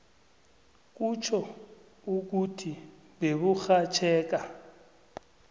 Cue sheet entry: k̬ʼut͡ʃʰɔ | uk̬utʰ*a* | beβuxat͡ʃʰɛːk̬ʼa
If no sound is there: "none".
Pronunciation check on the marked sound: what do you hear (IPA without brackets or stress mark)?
i